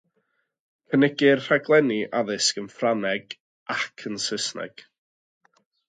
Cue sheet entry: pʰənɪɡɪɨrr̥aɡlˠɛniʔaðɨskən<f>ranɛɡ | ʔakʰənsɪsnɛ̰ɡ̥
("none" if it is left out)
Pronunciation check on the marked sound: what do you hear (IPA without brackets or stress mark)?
f